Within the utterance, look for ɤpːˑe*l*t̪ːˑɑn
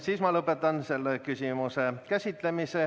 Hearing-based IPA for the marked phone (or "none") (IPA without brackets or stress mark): none